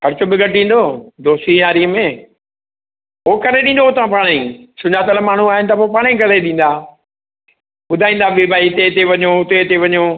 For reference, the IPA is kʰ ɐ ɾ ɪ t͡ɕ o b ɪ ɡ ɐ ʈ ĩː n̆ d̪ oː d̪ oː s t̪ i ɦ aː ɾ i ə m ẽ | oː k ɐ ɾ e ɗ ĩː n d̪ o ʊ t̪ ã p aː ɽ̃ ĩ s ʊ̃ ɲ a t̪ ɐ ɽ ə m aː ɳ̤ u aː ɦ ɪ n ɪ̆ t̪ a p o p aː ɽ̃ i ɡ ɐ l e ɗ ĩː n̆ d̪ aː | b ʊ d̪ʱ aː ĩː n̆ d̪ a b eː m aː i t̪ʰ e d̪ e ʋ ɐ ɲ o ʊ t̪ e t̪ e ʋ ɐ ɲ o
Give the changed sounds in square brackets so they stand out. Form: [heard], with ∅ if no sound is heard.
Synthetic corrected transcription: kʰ ɐ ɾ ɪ t͡ɕ o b ɪ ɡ ɐ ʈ ĩː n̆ d̪ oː d̪ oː s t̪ i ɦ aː ɾ i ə m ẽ | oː k ɐ ɾ e ɗ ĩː n d̪ o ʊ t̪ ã p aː ɽ̃ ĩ s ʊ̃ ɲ a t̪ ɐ [l] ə m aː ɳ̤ u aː ɦ ɪ n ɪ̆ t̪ [ɐ] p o p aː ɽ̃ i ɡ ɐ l e ɗ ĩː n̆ d̪ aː | [ɓ] ʊ d̪ʱ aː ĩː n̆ d̪ a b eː [b] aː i [t̪] e [t̪] e ʋ ɐ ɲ o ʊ t̪ e t̪ e ʋ ɐ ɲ o